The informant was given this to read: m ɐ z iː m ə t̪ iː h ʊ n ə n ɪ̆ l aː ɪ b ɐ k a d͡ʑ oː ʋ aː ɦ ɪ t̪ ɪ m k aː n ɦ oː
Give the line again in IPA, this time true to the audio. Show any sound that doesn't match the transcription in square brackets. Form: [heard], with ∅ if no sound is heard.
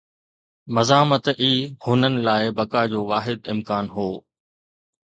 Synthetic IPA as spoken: m ɐ z [aː] m ə t̪ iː h ʊ n ə n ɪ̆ l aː ɪ b ɐ k a d͡ʑ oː ʋ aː ɦ ɪ [d̪] ɪ m k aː n ɦ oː